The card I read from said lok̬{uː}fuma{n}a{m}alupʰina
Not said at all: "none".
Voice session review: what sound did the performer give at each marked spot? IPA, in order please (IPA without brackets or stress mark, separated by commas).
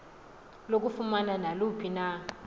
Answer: u, n, n